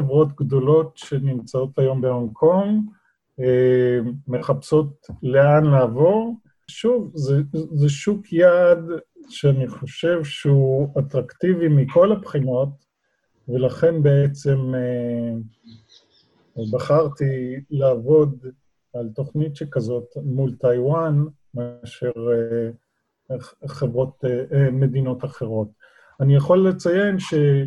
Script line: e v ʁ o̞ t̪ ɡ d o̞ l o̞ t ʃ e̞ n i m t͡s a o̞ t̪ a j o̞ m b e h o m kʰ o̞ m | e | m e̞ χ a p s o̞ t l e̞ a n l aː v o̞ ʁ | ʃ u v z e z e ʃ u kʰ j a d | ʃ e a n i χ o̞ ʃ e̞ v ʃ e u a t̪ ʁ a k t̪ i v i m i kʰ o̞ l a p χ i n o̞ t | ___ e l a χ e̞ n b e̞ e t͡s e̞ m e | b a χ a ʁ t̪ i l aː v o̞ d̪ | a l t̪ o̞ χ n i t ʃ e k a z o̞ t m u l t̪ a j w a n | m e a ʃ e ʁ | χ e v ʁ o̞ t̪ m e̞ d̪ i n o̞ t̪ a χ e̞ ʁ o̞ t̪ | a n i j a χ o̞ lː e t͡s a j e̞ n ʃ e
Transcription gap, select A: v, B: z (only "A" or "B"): A